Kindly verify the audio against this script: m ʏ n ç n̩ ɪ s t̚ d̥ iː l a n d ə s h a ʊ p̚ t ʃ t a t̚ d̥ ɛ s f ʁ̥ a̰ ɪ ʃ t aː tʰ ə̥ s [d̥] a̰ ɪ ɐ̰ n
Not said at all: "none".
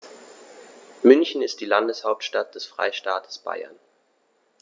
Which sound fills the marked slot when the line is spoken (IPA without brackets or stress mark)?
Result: b̥